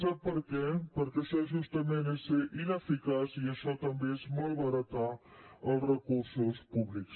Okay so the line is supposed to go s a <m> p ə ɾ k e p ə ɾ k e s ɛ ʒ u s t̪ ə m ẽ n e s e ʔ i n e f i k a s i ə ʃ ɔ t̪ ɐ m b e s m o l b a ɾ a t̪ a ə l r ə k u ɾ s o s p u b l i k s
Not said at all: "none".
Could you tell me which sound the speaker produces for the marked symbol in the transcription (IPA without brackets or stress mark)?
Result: none